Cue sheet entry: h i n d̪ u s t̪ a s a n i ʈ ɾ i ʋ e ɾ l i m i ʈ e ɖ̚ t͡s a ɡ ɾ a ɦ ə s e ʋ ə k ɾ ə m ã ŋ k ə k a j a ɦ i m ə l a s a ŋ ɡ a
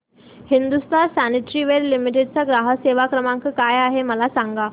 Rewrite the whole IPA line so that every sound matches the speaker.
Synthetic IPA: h i n d̪ u s t̪ a s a n i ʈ ɾ i ʋ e ɾ l i m i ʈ e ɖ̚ t͡s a ɡ ɾ a ɦ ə s e ʋ a k ɾ ə m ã ŋ k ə k a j a ɦ e m ə l a s a ŋ ɡ a

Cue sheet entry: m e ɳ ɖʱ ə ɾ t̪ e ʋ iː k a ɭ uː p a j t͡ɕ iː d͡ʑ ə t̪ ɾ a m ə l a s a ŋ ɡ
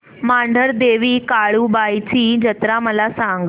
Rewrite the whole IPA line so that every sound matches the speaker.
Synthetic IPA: m a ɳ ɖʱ ə ɾ d̪ e ʋ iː k a ɭ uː b a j t͡ɕ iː d͡ʑ ə t̪ ɾ a m ə l a s a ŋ ɡ

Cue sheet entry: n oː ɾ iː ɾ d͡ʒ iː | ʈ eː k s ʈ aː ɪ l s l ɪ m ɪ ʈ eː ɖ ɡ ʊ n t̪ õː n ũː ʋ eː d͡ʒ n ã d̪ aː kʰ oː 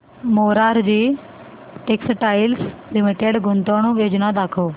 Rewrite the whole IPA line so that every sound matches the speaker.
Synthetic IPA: m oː ɾ aː ɾ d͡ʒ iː | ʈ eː k s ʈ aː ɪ l s l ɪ m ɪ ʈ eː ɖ ɡ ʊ n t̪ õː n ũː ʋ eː d͡ʒ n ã d̪ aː kʰ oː

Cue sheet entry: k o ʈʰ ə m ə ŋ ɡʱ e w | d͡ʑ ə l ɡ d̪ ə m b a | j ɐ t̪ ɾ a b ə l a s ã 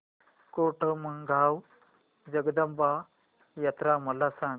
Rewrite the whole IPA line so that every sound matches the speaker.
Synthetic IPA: k o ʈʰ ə m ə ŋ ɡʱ a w | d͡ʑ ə ɡ d̪ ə m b a | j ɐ t̪ ɾ a m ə l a s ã

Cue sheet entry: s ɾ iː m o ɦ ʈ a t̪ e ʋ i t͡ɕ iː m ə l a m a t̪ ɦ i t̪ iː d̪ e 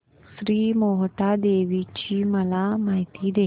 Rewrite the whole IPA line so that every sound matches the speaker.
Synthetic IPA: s ɾ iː m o ɦ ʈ a d̪ e ʋ i t͡ɕ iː m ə l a m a ɦ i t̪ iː d̪ e

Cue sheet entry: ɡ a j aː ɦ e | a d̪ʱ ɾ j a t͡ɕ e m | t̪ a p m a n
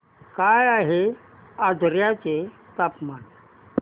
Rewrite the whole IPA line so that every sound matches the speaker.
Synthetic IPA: k a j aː ɦ e | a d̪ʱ ɾ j a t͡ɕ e | t̪ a p m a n

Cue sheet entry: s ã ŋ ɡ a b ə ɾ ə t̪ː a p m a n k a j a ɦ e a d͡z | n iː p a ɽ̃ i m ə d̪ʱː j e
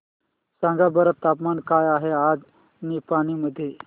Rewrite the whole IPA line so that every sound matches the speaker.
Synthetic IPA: s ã ŋ ɡ a b ə ɾ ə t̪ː a p m a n k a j a ɦ e a d͡z | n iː p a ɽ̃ i m ə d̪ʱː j e

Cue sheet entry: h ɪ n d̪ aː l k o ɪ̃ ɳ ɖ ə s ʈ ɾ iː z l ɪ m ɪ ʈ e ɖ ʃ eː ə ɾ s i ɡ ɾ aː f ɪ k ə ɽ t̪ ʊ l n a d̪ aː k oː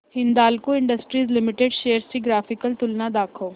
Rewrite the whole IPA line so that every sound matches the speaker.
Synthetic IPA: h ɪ n d̪ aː l k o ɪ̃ ɳ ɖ ə s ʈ ɾ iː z l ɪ m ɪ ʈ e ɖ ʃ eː ə ɾ s i ɡ ɾ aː f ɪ k ə l t̪ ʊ l n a d̪ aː kʰ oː

